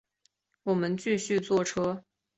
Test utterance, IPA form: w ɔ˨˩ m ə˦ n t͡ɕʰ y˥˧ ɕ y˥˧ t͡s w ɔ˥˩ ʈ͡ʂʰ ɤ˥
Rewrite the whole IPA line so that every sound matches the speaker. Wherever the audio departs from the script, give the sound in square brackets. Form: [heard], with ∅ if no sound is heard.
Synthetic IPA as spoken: w ɔ˨˩ m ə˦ n [t͡ɕ] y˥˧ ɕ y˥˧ t͡s w ɔ˥˩ ʈ͡ʂʰ ɤ˥